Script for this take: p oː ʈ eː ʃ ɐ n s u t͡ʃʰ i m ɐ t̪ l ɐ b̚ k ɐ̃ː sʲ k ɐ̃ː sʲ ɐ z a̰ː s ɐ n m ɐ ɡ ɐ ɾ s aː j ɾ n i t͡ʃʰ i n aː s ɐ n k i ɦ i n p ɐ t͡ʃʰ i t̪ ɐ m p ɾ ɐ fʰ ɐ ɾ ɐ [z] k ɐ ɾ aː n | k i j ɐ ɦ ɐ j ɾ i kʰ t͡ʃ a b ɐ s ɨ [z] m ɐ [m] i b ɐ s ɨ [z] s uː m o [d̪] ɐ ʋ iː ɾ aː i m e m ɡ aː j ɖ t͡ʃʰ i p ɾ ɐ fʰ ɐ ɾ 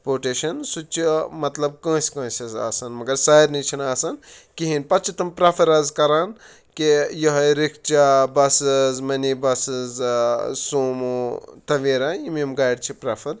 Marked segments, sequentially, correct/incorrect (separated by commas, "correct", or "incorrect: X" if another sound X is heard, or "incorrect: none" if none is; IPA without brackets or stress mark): correct, correct, incorrect: n, correct, incorrect: t̪